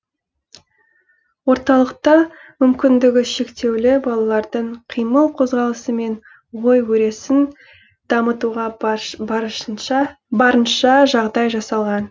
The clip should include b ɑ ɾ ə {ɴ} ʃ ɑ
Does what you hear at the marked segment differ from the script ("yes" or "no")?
yes